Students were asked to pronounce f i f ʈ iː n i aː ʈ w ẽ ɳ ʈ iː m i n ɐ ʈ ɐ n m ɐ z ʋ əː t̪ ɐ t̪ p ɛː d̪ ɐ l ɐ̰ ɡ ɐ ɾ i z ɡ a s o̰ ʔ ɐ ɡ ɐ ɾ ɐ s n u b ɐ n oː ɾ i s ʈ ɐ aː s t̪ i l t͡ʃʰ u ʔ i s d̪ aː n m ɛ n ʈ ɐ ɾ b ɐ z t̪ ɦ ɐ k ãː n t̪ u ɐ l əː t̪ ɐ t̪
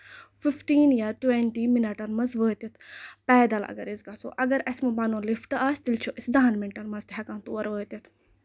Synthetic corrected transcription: f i f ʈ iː n j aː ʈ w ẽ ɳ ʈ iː m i n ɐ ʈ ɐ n m ɐ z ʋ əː t̪ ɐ t̪ p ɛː d̪ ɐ l ɐ̰ ɡ ɐ ɾ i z ɡ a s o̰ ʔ ɐ ɡ ɐ ɾ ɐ s m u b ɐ n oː l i f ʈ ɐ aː s t̪ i l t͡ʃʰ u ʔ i s d̪ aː n m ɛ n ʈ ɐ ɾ m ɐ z t̪ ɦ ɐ k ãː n t̪ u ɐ ɾ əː t̪ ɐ t̪